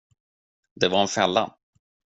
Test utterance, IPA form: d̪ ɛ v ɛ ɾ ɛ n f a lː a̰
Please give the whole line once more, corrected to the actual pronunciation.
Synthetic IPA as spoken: d̪ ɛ v a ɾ ɛ n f ɛ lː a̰